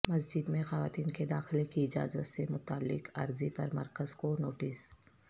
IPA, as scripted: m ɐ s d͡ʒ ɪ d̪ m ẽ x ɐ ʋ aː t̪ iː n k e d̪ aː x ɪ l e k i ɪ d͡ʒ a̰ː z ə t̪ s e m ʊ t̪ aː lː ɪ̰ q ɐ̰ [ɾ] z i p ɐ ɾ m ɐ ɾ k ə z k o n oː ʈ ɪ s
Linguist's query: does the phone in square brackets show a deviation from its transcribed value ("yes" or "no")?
no